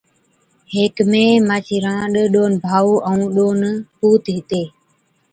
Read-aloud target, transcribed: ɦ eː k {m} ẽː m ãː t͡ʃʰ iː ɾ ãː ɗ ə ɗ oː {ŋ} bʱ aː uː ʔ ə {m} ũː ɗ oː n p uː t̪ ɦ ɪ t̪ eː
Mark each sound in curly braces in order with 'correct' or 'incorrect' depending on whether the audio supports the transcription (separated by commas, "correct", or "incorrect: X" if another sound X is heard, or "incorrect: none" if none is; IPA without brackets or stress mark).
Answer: correct, incorrect: n, incorrect: none